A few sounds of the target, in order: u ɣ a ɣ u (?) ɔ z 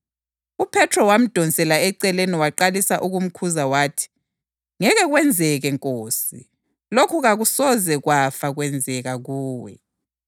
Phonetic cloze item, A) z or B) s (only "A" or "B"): B